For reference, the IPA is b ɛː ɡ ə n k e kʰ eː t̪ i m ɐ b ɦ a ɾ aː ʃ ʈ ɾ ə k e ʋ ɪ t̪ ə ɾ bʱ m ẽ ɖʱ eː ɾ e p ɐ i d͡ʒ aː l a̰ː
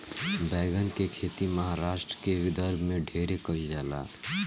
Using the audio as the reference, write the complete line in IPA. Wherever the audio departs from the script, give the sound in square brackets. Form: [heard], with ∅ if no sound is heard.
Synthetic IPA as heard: b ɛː ɡ ə n k e kʰ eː t̪ i m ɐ [∅] ɦ a ɾ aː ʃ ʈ ɾ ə k e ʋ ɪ [d̪] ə ɾ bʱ m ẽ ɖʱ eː ɾ e [k] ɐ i d͡ʒ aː l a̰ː